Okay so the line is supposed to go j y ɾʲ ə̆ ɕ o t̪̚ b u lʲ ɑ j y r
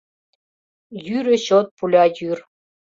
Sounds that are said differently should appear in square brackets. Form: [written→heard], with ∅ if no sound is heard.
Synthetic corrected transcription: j y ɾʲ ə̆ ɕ o t̪̚ [b→p] u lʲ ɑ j y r

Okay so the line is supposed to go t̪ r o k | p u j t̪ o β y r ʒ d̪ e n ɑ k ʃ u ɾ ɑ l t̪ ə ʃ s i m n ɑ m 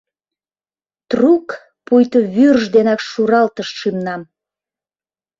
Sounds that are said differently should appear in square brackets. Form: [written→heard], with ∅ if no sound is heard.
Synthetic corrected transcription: t̪ r [o→u] k | p u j t̪ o β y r ʒ d̪ e n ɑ k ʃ u ɾ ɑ l t̪ ə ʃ [s→ʃ] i m n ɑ m

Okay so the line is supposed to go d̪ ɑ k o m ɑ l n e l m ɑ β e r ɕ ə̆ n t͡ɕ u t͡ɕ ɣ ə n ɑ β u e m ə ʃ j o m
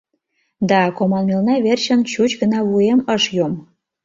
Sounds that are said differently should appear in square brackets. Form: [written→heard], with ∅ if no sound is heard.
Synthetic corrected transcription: d̪ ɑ k o m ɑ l [n→m] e l [m→n] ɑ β e r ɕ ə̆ n t͡ɕ u t͡ɕ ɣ ə n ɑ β u e m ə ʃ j o m

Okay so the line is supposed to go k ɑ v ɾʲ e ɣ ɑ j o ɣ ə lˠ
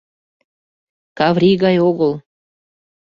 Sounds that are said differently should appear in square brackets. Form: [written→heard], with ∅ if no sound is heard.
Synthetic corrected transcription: k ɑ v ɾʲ [e→i] ɣ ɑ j o ɣ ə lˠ

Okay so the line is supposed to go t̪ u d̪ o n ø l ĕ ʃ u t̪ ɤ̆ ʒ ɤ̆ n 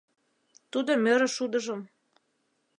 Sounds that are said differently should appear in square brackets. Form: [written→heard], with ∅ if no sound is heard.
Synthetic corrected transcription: t̪ u d̪ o [n→m] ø [l→ɾ] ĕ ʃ u [t̪→d̪] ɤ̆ ʒ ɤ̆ [n→m]

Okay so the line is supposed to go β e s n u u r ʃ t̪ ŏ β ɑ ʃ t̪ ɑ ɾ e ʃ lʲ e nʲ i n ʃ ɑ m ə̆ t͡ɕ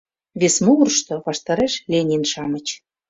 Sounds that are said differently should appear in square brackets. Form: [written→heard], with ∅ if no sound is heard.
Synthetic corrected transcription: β e s [n→m] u u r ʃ t̪ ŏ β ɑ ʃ t̪ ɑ ɾ e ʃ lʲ e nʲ i n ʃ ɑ m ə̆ t͡ɕ

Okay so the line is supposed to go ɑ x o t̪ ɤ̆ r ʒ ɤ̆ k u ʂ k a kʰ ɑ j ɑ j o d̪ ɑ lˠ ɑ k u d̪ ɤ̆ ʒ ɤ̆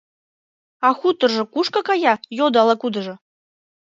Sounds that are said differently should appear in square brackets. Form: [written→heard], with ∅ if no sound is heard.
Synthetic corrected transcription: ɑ x [o→u] t̪ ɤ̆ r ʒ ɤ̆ k u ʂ k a [kʰ→k] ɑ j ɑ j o d̪ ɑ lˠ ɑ k u d̪ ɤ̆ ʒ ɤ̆

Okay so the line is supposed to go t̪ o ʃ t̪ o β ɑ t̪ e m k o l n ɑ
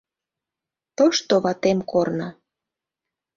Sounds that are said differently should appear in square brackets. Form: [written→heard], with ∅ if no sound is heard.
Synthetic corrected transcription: t̪ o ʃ t̪ o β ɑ t̪ e m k o [l→r] n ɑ

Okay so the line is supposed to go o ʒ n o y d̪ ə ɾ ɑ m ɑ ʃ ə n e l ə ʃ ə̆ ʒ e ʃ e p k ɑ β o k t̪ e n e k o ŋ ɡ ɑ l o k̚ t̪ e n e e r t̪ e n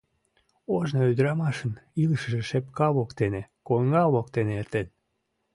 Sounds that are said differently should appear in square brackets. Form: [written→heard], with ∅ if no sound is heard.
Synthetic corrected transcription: o ʒ n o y d̪ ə ɾ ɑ m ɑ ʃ ə n [e→i] l ə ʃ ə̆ ʒ e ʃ e p k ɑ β o k t̪ e n e k o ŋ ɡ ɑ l o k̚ t̪ e n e e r t̪ e n

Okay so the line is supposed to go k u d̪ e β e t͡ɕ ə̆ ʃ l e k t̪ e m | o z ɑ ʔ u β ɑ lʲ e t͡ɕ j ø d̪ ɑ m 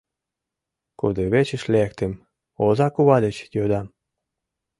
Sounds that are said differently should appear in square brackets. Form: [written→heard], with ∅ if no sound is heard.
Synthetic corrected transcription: k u d̪ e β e t͡ɕ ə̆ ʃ l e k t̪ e m | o z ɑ [ʔ→k] u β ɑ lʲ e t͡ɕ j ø d̪ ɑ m

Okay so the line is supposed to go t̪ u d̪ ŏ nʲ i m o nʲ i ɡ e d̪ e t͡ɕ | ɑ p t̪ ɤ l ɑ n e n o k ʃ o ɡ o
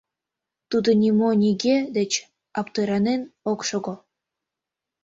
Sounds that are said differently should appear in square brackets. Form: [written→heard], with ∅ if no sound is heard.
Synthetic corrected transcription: t̪ u d̪ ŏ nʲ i m o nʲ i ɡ e d̪ e t͡ɕ | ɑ p t̪ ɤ [l→ɾ] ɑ n e n o k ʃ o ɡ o

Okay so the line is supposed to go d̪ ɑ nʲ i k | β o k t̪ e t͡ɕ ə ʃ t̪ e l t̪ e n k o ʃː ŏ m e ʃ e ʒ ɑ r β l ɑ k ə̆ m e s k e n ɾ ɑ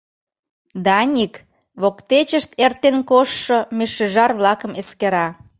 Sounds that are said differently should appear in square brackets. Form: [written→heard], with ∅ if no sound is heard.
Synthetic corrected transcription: d̪ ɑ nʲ i k | β o k t̪ e t͡ɕ ə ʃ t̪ e [l→r] t̪ e n k o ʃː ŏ m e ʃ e ʒ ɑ r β l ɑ k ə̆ m e s k e [n→∅] ɾ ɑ

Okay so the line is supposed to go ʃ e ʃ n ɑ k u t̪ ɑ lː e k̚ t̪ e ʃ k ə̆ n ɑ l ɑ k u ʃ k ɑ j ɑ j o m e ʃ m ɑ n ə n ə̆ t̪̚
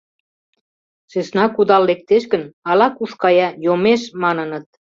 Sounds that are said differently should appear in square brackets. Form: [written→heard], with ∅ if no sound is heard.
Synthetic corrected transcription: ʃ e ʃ n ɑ k u [t̪→d̪] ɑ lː e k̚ t̪ e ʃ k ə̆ n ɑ l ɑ k u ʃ k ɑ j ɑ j o m e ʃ m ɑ n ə n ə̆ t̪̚

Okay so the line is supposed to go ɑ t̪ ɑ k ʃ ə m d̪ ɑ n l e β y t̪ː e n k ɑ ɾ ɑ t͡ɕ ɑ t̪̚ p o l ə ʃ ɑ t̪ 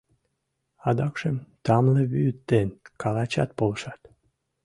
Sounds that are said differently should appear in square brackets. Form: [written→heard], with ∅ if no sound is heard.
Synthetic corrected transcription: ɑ [t̪→d̪] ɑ k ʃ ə m [d̪→t̪] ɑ [n→m] l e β y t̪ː e n k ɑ [ɾ→l] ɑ t͡ɕ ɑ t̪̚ p o l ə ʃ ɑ t̪

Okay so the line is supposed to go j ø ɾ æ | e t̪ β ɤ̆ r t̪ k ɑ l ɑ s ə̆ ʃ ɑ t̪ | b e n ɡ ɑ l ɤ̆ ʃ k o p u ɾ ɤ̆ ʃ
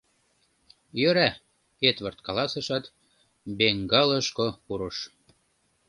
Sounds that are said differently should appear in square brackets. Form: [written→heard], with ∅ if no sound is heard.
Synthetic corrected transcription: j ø ɾ æ | e t̪ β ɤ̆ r t̪ k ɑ l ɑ s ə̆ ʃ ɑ t̪ | b e [n→ŋ] ɡ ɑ l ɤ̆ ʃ k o p u ɾ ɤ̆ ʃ

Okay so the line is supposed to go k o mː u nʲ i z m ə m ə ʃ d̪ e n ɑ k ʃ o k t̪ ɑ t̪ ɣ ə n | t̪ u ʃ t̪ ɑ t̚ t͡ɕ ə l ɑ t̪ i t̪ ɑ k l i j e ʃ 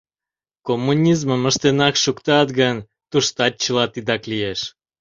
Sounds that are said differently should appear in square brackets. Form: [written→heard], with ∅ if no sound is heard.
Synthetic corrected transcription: k o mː u nʲ i z m ə m ə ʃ [d̪→t̪] e n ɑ k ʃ [o→u] k t̪ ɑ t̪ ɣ ə n | t̪ u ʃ t̪ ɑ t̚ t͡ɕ ə l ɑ t̪ i [t̪→d̪] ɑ k l i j e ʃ

